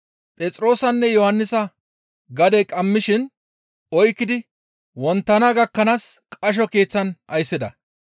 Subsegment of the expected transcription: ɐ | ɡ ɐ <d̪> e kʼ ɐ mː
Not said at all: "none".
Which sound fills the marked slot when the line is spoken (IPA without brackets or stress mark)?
d̪